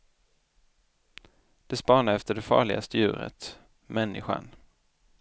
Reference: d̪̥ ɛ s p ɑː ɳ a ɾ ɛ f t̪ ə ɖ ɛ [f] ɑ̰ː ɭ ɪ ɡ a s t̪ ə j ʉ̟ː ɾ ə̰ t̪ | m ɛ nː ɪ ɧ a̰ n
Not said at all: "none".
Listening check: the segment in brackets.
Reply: f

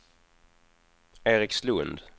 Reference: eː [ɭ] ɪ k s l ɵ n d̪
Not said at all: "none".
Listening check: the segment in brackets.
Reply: ɾ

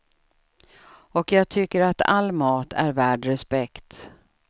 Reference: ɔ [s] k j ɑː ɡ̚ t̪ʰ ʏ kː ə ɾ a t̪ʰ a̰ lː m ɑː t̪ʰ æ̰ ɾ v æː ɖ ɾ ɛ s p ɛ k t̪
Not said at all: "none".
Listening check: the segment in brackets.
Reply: none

